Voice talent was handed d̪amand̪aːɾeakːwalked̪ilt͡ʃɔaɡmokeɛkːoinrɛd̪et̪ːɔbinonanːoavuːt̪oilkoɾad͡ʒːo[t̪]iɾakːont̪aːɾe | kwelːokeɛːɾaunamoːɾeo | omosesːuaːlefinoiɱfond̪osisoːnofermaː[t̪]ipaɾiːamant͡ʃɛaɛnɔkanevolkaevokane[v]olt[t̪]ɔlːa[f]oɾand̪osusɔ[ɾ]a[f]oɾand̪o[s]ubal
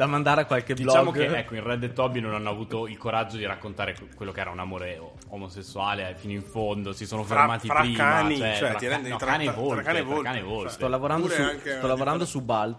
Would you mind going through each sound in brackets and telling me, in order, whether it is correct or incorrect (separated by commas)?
incorrect, correct, correct, correct, incorrect, incorrect, incorrect, correct